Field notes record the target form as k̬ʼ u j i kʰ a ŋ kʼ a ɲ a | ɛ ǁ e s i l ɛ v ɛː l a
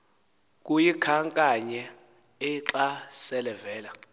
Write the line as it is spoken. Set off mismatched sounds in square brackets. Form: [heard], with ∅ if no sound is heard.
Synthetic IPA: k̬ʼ u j i kʰ a ŋ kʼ a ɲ [ɛ] | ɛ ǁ [a] s [ɛ] l ɛ v ɛː l a